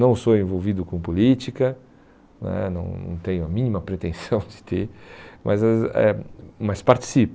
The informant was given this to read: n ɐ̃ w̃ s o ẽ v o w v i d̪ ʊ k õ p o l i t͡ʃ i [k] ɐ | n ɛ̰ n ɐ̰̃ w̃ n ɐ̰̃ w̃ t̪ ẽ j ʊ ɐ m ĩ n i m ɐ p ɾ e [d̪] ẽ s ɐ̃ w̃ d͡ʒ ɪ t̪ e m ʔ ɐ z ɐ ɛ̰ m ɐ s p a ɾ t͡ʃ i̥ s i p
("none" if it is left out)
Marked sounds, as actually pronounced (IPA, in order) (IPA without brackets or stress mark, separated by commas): k, t̪